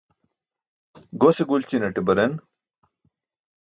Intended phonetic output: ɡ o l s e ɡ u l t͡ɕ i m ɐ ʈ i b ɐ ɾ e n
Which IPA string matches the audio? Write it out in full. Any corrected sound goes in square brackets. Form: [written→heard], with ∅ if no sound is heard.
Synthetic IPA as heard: ɡ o [l→∅] s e ɡ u l t͡ɕ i [m→n] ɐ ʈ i b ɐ ɾ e n